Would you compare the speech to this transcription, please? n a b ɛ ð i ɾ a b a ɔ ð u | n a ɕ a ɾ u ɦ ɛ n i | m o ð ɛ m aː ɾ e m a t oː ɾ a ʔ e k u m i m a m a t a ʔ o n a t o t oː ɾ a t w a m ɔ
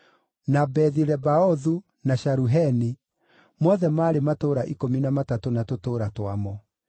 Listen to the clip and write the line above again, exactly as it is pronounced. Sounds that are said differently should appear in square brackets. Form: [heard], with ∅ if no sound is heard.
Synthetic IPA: n a b ɛ ð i ɾ [ɛ] b a ɔ ð u | n a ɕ a ɾ u ɦ ɛ n i | m [ɔ] ð ɛ m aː ɾ e m a t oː ɾ a ʔ [i] k [o] m i [n] a m a t a [t] o n a t o t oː ɾ a t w a m ɔ